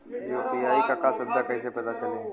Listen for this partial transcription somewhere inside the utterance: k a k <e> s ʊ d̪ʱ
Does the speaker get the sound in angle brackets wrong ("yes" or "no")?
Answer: yes